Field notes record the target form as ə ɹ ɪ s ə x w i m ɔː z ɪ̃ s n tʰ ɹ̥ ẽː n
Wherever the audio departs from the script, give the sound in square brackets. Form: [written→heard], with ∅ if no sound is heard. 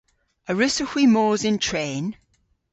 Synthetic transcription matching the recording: ə ɹ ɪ s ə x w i m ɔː z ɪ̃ [s→∅] n tʰ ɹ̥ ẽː n

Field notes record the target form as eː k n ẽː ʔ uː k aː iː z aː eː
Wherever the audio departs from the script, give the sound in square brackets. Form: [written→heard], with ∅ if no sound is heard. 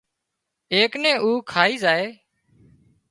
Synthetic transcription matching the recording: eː k n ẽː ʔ uː [k→kʰ] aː iː z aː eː

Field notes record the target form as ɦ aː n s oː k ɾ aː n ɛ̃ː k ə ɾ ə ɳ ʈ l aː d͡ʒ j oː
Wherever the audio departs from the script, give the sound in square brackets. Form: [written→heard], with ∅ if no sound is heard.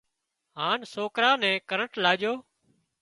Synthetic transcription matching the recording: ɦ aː n s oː k ɾ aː n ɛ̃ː k ə ɾ ə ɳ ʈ l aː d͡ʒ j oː

